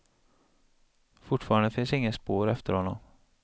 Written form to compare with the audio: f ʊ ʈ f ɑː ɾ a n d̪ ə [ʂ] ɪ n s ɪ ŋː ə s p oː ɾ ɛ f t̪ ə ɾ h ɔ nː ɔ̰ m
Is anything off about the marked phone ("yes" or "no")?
yes